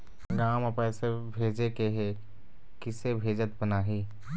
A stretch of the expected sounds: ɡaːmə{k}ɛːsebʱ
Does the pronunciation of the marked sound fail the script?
yes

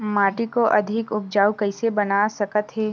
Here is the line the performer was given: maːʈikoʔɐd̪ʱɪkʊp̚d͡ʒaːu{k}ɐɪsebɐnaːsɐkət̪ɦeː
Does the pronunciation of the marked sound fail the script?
no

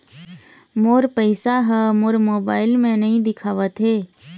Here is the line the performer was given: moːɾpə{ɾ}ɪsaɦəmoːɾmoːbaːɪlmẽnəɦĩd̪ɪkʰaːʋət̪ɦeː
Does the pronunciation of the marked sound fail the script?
yes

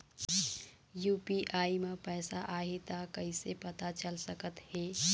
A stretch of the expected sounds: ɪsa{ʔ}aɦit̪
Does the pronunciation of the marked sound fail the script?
no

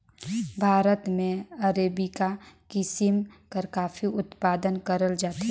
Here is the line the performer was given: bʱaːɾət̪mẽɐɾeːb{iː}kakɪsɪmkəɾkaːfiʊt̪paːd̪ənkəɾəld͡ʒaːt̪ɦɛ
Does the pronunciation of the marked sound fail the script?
yes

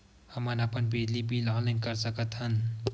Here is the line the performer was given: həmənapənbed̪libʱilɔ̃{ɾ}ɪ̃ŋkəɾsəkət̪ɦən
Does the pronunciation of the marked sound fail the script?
yes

